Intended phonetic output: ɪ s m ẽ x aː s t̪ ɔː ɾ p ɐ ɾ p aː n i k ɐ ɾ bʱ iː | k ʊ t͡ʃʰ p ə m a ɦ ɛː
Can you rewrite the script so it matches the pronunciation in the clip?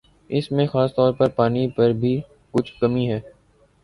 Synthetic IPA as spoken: ɪ s m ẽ x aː s t̪ ɔː ɾ p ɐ ɾ p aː n i p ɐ ɾ bʱ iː | k ʊ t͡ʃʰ k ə m i ɦ ɛː